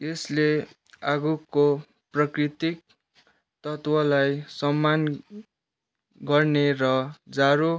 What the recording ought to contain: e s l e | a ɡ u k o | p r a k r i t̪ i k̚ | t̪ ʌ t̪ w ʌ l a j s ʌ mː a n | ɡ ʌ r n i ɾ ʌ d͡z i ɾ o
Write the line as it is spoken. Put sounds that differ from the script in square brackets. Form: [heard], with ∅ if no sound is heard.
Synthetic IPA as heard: e s l e | a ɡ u k o | p r [ʌ] k r i t̪ i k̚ | t̪ ʌ t̪ w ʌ l a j s ʌ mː a n | ɡ ʌ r n [e] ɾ ʌ d͡z [a] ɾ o

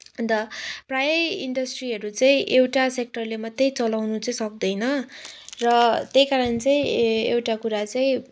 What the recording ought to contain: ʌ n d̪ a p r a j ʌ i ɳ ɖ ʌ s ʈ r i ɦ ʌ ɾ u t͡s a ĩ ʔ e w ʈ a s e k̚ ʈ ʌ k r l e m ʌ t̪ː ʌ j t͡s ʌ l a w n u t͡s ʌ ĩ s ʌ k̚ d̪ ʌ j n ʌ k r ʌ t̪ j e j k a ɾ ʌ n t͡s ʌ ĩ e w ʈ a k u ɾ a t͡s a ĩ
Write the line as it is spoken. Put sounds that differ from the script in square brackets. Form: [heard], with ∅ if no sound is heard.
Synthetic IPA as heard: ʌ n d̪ [ʌ] p r a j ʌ i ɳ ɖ ʌ s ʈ r i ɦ ʌ ɾ u t͡s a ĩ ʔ e w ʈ a s e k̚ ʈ ʌ [∅] r l e m ʌ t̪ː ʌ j t͡s ʌ l a w n u t͡s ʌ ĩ s ʌ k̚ d̪ ʌ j n ʌ [∅] r ʌ t̪ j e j k a ɾ ʌ n t͡s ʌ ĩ e w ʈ a k u ɾ a t͡s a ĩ

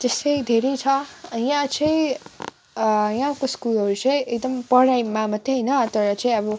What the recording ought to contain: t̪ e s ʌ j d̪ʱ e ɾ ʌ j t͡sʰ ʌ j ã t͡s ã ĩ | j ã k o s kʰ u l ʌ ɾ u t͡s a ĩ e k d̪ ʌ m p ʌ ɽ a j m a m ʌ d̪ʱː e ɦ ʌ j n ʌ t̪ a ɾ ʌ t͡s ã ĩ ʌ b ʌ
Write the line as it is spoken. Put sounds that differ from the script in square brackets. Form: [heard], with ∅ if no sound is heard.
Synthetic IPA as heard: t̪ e s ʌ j d̪ʱ e ɾ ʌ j t͡sʰ ʌ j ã t͡s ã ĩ | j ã k o s [k] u l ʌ ɾ u t͡s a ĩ e k d̪ ʌ m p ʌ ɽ a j m a m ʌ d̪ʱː e ɦ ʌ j n ʌ t̪ [ʌ] ɾ ʌ t͡s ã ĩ ʌ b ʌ

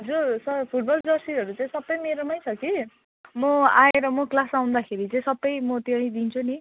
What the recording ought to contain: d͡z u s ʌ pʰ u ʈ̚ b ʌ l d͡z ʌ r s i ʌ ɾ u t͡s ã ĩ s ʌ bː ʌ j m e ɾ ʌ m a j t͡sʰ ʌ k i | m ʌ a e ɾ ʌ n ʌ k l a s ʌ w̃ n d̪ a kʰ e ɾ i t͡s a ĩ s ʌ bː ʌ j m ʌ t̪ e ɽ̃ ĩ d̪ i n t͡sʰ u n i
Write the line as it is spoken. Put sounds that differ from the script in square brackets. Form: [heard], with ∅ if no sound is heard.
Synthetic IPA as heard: d͡z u s ʌ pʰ u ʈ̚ b ʌ l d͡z ʌ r s i ʌ ɾ u t͡s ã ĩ s ʌ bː ʌ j m e ɾ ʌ m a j t͡sʰ ʌ k i | m ʌ a e ɾ ʌ [m] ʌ k l a s [a] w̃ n d̪ a kʰ e ɾ i t͡s a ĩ s ʌ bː ʌ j m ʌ t̪ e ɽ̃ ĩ d̪ i n t͡sʰ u n i

